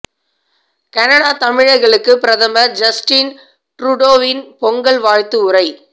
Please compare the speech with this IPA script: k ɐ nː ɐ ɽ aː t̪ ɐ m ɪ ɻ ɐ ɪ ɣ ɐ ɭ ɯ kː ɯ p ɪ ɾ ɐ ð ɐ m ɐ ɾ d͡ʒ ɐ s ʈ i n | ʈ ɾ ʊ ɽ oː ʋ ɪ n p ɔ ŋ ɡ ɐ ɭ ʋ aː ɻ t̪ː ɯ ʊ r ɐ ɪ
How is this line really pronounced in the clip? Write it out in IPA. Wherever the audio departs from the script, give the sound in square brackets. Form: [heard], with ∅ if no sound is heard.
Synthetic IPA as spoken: k ɐ [n] ɐ ɽ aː t̪ ɐ m ɪ ɻ ɐ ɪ ɣ ɐ ɭ ɯ kː ɯ p ɪ ɾ ɐ ð ɐ m ɐ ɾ d͡ʒ ɐ s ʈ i n | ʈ ɾ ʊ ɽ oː ʋ ɪ n p ɔ ŋ ɡ ɐ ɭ ʋ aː ɻ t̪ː ɯ ʊ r ɐ ɪ